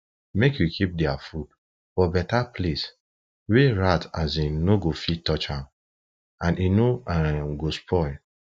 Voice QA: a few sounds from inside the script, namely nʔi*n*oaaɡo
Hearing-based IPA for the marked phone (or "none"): n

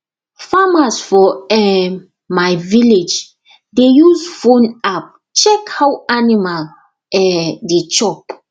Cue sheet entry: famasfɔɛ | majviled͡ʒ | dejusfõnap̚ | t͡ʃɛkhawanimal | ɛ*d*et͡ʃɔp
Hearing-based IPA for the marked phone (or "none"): d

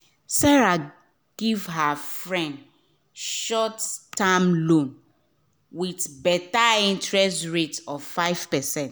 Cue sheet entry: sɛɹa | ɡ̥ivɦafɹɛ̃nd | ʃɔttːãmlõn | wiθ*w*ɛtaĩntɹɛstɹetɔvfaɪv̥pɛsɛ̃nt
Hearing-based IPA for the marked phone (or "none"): b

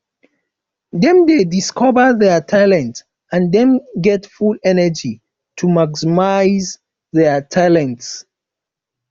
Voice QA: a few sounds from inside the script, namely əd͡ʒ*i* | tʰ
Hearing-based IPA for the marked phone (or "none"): i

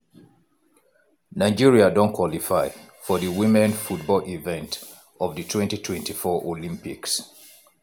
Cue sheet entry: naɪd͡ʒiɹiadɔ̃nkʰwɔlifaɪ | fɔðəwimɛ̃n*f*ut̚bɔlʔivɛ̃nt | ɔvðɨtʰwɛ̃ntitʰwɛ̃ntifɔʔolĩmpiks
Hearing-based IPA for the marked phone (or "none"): f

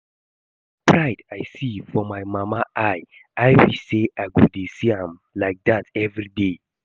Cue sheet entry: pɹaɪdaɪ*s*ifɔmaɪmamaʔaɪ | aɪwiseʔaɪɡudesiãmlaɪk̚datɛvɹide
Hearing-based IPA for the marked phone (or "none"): s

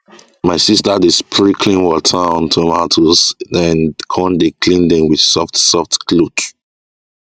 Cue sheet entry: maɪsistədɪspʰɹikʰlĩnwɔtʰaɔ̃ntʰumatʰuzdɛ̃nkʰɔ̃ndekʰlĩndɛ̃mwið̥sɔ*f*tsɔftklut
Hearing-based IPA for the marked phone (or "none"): f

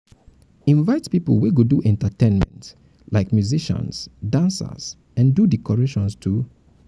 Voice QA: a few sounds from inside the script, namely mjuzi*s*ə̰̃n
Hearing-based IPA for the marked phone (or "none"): ʃ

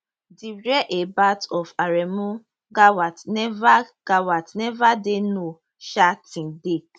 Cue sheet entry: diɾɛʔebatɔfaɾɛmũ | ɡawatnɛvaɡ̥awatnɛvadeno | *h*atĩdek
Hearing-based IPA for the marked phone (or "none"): ʃ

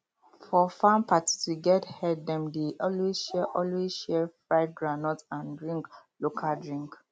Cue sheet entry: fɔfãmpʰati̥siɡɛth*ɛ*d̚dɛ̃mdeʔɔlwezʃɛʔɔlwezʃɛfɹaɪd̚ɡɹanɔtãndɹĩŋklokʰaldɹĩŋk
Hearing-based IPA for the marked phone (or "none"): ɛ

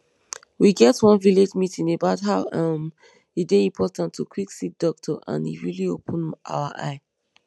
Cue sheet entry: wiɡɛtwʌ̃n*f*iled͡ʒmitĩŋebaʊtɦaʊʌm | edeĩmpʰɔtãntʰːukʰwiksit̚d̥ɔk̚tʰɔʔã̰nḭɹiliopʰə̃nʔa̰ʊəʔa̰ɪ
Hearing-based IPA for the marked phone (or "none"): v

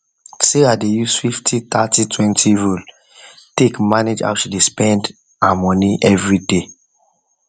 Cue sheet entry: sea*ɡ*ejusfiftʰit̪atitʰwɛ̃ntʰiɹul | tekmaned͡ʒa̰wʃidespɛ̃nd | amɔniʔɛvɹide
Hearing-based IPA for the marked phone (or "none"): d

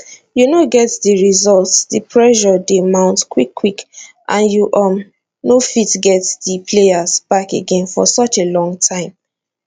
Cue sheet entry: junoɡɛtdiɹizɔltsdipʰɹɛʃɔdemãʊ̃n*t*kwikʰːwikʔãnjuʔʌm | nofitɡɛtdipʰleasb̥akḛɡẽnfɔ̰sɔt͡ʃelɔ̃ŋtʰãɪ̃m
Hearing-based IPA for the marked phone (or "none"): t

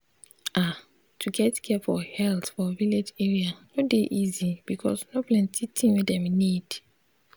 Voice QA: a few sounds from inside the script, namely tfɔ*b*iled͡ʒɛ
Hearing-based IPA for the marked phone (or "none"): v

